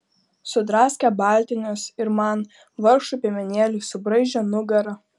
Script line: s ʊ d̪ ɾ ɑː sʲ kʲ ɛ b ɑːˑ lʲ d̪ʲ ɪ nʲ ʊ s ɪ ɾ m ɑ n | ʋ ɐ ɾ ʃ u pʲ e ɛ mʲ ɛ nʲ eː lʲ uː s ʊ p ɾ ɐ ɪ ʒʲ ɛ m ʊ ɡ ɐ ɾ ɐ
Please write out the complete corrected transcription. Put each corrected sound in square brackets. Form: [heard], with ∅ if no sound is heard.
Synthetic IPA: s ʊ d̪ ɾ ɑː sʲ kʲ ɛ b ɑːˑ lʲ [t̪ʲ] ɪ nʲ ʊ s ɪ ɾ m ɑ n | ʋ ɐ ɾ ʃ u pʲ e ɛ mʲ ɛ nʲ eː lʲ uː s ʊ [b] ɾ ɐ ɪ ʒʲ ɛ [n] ʊ ɡ ɐ ɾ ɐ